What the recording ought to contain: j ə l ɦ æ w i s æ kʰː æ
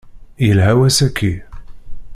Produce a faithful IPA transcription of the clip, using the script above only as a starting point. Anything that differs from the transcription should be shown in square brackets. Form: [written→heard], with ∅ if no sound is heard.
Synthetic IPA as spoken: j ə l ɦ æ w [i→æ] s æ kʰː [æ→i]